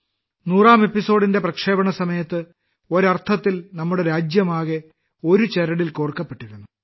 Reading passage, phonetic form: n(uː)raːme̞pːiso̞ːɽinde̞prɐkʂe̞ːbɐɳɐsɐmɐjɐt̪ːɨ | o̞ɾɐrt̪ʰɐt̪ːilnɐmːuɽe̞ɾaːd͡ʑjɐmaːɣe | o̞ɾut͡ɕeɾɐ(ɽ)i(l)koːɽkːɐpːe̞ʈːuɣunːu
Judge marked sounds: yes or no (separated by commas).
yes, yes, yes